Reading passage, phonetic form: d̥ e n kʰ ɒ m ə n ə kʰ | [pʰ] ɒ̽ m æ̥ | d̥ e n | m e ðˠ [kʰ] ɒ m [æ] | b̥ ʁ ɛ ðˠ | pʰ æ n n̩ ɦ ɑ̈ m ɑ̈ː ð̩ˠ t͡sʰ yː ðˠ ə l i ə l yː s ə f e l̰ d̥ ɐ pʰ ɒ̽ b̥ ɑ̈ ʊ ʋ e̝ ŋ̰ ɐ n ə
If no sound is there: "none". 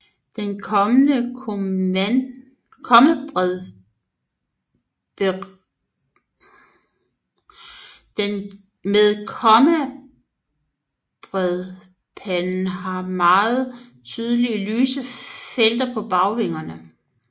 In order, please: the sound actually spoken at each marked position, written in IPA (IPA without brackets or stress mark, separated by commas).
kʰ, kʰ, æ